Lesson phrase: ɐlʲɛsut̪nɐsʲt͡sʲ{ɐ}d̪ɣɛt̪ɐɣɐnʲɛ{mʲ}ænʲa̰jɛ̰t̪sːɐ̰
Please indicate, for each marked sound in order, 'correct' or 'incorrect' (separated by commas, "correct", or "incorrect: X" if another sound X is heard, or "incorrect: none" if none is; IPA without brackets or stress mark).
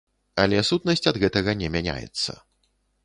correct, correct